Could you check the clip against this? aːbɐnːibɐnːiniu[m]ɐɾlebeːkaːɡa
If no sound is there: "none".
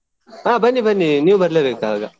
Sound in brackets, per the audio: b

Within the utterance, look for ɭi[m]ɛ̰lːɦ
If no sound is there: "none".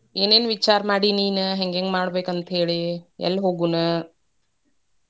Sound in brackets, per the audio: none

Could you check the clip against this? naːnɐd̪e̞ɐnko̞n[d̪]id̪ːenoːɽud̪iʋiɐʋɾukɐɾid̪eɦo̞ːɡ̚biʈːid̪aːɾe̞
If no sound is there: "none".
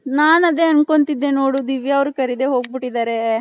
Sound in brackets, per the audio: t̪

